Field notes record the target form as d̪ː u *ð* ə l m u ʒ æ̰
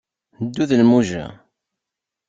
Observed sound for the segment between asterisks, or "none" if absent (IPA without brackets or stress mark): ð